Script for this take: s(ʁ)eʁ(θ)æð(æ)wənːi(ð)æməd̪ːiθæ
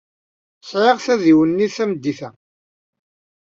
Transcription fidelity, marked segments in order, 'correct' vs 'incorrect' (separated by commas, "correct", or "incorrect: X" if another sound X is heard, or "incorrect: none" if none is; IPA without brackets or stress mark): incorrect: ʕ, correct, incorrect: i, incorrect: θ